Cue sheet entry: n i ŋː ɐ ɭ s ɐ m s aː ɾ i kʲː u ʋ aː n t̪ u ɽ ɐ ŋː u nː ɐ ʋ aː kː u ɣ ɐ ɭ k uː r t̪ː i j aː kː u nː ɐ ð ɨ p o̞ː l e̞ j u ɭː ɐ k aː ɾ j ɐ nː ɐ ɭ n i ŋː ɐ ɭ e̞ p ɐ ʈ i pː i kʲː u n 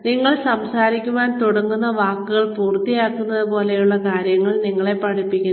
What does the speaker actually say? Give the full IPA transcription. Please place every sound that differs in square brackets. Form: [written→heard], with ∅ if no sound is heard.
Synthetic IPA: n i ŋː ɐ ɭ s ɐ m s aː ɾ i kʲː u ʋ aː n t̪ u ɽ ɐ ŋː u nː ɐ ʋ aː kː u ɣ ɐ ɭ [k→p] uː r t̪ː i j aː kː u nː ɐ ð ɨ p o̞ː l e̞ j u ɭː ɐ k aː ɾ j ɐ [nː→ŋː] ɐ ɭ n i ŋː ɐ ɭ e̞ p ɐ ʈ i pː i kʲː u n

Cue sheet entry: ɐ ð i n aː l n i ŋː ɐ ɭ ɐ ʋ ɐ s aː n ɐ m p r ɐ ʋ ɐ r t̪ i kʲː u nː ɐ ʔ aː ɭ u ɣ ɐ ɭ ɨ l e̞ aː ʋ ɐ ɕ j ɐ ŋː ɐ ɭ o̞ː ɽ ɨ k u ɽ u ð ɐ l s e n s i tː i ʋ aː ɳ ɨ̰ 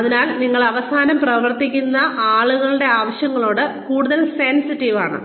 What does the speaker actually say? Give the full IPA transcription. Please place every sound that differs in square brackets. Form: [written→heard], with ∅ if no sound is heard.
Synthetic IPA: ɐ ð i n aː l n i ŋː ɐ ɭ ɐ ʋ ɐ s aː n ɐ m p r ɐ ʋ ɐ r t̪ i kʲː u nː ɐ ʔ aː ɭ u ɣ ɐ ɭ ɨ [l→ɽ] e̞ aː ʋ ɐ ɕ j ɐ ŋː ɐ ɭ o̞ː ɽ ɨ k [u→uː] ɽ u ð ɐ l s e n s i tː i ʋ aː ɳ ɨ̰

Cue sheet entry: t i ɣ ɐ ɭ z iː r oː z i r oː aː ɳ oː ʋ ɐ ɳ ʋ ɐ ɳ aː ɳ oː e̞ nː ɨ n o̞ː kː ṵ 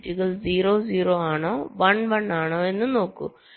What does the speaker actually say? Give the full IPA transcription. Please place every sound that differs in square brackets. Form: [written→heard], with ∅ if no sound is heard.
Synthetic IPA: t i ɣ ɐ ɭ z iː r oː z [i→iː] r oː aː ɳ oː ʋ ɐ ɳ ʋ ɐ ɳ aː ɳ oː e̞ nː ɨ n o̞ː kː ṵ

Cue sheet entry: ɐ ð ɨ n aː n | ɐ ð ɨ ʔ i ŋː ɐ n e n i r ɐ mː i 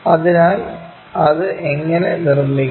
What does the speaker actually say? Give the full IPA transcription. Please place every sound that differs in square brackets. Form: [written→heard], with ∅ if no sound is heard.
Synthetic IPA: ɐ ð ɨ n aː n | ɐ ð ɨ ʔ [i→e] ŋː ɐ n e n i r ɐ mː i

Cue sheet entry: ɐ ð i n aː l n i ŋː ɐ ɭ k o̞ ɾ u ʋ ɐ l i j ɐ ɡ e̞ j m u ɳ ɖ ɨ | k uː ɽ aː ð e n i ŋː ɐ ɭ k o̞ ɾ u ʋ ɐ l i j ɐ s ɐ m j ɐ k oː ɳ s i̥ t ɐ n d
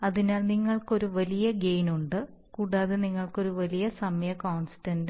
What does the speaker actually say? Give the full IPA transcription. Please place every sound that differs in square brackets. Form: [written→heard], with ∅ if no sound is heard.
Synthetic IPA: ɐ ð i n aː l n i ŋː ɐ ɭ k o̞ ɾ u ʋ ɐ l i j ɐ ɡ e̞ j [m→n] u ɳ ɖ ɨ | k uː ɽ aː ð e n i ŋː ɐ ɭ k o̞ ɾ u ʋ ɐ l i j ɐ s ɐ m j ɐ k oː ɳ s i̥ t ɐ n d

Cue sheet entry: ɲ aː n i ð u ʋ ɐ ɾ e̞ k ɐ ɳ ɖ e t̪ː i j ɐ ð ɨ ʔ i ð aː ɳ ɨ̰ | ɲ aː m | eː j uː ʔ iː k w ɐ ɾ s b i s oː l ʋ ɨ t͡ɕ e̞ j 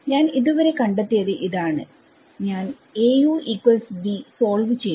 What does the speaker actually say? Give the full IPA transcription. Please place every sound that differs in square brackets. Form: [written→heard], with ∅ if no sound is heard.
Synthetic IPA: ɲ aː n i ð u ʋ ɐ ɾ e̞ k ɐ ɳ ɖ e t̪ː i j ɐ ð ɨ ʔ i ð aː ɳ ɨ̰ | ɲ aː [m→n] | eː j uː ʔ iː k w ɐ [ɾ→l] s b i s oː l ʋ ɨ t͡ɕ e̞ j

